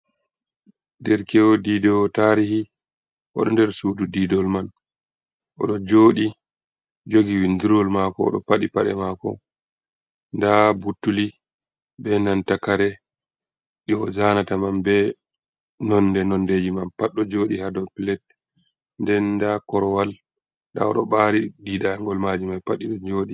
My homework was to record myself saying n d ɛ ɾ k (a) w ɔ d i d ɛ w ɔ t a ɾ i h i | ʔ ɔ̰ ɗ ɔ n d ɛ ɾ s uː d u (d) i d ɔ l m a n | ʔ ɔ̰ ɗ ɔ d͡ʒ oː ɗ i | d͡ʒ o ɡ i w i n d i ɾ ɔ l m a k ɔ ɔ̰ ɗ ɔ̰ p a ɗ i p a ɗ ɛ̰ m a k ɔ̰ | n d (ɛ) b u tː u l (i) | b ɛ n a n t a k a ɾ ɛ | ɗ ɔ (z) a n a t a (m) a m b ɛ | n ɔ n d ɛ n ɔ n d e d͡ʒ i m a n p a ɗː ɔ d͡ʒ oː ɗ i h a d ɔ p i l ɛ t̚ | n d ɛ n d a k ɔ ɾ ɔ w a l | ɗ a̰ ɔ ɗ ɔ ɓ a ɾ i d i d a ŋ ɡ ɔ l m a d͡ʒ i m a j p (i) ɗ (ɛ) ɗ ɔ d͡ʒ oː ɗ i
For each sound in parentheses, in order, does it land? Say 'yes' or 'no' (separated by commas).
no, yes, no, yes, yes, yes, no, no